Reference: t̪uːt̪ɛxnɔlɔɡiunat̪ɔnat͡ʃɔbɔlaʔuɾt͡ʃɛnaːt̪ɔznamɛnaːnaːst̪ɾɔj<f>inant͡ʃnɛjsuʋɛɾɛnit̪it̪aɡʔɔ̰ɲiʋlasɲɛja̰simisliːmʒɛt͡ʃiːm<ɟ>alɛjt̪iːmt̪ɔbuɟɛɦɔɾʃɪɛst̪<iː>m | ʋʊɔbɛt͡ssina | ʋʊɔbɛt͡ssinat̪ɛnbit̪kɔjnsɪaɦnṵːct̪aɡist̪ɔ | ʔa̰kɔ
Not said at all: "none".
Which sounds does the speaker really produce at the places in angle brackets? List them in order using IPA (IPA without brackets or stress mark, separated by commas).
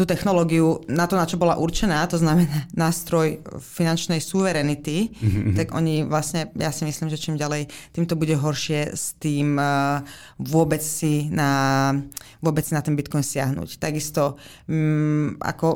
f, ɟ, iː